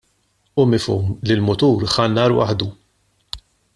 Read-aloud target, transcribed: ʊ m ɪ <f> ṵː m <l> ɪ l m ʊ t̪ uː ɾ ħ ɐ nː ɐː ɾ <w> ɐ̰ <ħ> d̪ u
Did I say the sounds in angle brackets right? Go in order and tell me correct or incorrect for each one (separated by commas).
correct, correct, correct, correct